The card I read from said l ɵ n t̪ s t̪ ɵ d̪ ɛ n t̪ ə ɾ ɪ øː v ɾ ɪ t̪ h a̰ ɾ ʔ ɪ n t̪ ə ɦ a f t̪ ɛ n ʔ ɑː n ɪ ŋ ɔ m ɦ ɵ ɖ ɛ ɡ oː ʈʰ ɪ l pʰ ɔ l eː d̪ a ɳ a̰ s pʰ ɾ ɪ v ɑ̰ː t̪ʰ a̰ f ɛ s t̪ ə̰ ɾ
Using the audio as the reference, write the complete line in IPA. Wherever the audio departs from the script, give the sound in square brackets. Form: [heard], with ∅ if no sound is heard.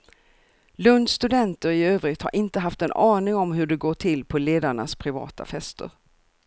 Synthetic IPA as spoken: l ɵ n [d̪] s t̪ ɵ d̪ ɛ n t̪ ə ɾ ɪ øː v ɾ ɪ t̪ h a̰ ɾ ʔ ɪ n t̪ ə ɦ a f t̪ ɛ n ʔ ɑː n ɪ ŋ ɔ m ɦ ɵ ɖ ɛ ɡ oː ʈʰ ɪ l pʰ ɔ l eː d̪ a ɳ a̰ s pʰ ɾ ɪ v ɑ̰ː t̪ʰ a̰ f ɛ s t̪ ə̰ ɾ